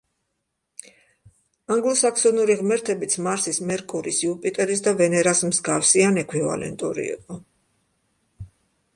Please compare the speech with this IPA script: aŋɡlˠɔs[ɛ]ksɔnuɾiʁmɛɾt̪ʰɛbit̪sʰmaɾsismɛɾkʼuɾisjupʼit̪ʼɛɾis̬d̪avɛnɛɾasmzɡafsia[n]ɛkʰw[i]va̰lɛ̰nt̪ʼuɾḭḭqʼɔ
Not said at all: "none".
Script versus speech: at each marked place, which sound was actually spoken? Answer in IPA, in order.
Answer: a, n, i

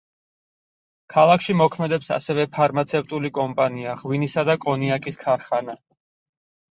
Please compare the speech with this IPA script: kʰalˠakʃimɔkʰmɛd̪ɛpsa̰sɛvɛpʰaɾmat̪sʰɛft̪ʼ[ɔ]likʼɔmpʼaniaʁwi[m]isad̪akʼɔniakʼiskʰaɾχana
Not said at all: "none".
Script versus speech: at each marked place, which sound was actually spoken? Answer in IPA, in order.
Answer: u, n

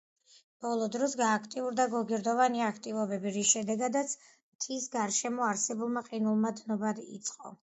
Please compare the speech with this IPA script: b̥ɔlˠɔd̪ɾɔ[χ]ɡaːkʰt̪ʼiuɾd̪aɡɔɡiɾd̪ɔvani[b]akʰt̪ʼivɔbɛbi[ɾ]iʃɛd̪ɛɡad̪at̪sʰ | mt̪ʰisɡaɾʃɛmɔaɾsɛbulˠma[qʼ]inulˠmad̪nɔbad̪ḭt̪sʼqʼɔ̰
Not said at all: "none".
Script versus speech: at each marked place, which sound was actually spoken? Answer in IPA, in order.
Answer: s, none, ɾ, qʼ

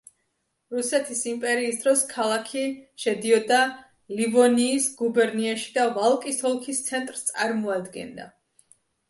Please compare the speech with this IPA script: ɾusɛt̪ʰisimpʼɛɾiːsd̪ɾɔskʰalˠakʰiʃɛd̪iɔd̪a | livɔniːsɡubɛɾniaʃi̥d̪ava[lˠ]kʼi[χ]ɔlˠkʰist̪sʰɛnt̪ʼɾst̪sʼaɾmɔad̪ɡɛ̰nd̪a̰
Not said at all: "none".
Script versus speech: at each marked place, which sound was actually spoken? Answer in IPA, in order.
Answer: lˠ, s

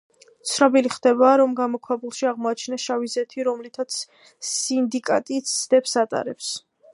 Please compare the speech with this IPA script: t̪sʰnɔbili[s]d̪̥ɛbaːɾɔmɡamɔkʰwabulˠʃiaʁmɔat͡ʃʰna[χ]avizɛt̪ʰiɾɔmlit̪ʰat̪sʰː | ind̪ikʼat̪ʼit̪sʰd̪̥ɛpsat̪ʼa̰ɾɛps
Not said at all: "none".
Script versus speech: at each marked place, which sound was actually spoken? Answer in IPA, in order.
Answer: χ, ʃ

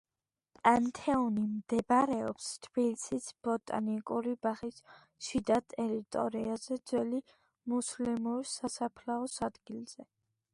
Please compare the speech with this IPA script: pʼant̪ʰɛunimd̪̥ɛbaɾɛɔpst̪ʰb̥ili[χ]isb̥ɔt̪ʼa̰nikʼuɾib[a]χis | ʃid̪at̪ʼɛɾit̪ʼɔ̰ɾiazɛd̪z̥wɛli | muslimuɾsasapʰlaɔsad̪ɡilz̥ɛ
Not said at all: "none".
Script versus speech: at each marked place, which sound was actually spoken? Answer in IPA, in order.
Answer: s, a

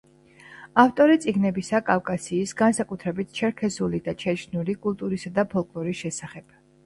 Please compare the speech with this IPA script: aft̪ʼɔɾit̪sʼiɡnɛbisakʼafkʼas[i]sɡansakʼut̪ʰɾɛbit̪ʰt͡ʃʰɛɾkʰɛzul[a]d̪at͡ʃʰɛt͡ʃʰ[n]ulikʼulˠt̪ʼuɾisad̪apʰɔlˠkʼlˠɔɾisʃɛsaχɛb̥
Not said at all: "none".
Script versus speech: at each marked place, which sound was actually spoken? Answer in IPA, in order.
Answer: iː, i, n

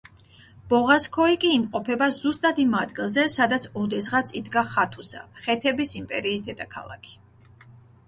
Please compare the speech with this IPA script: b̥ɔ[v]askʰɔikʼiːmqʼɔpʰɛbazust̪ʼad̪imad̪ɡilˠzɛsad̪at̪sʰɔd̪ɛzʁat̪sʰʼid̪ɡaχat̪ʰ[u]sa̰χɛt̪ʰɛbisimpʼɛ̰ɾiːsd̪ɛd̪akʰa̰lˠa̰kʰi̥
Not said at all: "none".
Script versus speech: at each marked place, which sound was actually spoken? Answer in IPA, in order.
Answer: ʁ, u

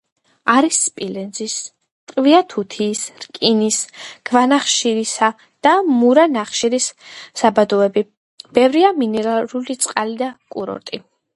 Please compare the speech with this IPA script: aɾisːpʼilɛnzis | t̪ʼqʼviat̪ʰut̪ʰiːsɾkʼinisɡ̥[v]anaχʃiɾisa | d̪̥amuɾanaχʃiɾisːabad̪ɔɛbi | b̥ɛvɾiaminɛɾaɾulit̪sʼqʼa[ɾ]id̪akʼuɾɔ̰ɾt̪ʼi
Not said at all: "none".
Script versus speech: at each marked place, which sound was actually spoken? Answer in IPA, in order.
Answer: v, l

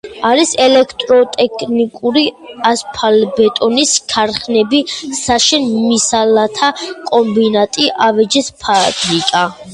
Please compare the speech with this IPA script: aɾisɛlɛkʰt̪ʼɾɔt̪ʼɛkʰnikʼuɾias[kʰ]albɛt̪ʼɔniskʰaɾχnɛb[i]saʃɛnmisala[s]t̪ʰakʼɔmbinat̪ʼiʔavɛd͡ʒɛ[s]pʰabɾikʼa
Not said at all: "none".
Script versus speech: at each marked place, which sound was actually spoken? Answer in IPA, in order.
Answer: pʰ, i, none, s

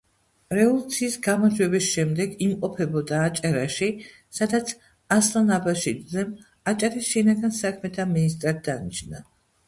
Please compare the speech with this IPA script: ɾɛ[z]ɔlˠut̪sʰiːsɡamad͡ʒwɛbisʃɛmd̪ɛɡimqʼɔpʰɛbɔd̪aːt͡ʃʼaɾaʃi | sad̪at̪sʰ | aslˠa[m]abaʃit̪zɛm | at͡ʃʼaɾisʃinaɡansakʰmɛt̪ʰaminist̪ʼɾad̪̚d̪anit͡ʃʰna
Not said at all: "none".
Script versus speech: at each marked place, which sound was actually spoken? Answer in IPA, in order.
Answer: v, n

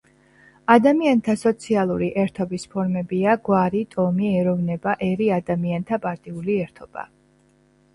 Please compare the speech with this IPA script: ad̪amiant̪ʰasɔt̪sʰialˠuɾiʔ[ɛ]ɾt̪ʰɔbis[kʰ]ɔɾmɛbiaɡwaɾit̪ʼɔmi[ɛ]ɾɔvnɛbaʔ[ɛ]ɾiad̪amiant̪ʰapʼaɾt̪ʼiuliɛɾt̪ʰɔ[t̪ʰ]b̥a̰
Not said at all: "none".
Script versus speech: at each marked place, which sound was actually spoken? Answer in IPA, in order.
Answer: ɛ, pʰ, ɛ, ɛ, none

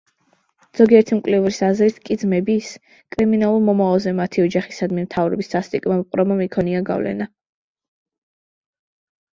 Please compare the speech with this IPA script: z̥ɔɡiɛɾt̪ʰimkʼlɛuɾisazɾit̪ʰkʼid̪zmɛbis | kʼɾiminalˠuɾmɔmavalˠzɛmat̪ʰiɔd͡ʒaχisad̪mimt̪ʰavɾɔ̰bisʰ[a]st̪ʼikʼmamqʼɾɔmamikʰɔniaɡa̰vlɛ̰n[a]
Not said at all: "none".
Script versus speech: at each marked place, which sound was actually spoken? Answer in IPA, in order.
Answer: a, a

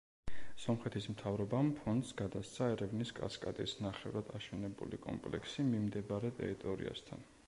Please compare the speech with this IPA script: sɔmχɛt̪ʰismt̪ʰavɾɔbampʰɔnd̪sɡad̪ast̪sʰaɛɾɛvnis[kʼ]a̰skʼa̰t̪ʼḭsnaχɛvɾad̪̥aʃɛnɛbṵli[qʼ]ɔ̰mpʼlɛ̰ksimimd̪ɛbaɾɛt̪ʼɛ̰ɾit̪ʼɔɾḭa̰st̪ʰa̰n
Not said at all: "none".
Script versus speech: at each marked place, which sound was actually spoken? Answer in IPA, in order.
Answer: kʼ, kʼ

